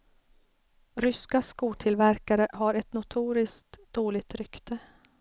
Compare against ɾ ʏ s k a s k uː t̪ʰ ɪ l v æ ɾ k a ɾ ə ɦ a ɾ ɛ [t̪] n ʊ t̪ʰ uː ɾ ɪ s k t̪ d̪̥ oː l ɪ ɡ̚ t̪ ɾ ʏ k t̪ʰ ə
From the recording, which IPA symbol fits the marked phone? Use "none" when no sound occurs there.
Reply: t̪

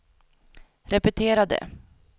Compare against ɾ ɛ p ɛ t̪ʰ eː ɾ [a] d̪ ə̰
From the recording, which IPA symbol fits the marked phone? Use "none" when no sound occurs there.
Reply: a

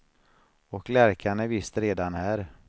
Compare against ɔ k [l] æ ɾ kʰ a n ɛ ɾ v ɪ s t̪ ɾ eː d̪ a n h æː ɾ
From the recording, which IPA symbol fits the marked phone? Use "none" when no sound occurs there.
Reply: l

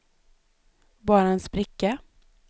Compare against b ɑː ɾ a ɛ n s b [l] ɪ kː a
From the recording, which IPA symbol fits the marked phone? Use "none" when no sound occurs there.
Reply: ɾ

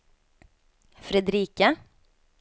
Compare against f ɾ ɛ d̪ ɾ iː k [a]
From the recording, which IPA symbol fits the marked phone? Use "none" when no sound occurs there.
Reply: ə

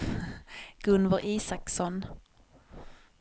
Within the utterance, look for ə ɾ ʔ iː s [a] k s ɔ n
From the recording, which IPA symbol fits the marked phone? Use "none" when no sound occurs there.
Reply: a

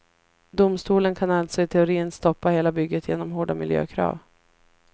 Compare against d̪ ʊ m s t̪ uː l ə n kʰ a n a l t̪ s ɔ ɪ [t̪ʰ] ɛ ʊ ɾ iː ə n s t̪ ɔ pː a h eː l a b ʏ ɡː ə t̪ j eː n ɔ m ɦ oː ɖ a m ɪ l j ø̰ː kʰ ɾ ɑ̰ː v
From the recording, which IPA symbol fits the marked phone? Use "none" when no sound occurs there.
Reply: t̪ʰ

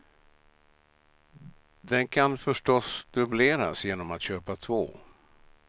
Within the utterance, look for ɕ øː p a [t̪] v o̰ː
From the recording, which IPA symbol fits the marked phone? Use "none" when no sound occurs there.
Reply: t̪ʰ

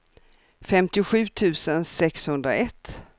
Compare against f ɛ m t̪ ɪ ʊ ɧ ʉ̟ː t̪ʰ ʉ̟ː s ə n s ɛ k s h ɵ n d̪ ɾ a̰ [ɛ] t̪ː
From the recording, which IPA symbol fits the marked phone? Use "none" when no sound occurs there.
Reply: ɛ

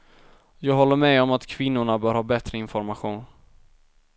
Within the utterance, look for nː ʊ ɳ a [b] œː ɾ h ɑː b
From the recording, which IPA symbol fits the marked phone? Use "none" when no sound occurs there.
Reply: b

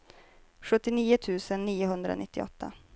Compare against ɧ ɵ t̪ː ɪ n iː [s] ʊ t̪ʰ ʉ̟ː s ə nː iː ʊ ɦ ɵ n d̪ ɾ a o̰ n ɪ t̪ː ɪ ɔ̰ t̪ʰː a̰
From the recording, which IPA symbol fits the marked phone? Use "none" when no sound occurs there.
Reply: none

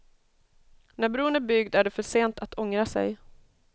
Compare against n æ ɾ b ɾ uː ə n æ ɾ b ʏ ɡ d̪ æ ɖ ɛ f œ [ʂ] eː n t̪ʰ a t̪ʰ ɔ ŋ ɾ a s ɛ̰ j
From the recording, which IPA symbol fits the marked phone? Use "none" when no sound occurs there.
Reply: ʂ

